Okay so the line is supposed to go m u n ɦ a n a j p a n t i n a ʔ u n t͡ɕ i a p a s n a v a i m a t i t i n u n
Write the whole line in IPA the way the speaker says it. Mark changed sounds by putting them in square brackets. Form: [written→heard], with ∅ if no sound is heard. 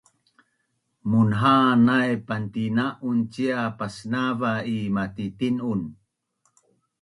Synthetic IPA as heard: m u n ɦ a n a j p a n t i n a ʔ u n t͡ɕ i a p a s n a v a i m a t i t i n u n